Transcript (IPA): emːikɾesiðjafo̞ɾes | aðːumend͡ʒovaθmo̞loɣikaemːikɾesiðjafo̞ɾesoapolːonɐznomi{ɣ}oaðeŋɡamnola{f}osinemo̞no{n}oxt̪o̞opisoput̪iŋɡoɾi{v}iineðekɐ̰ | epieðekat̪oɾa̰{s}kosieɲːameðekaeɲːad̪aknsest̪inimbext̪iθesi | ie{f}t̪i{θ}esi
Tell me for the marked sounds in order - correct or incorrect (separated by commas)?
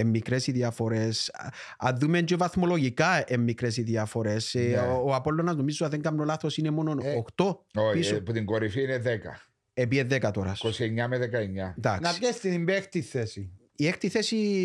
incorrect, incorrect, correct, incorrect, correct, incorrect, correct